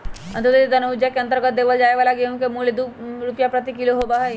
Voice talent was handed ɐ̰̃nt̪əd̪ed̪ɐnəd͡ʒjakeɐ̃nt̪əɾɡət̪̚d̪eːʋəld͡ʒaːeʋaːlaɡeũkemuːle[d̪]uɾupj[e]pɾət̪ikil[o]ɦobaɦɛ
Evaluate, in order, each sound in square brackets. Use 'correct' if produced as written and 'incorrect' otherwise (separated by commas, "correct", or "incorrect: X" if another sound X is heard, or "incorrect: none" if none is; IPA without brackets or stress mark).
correct, incorrect: a, correct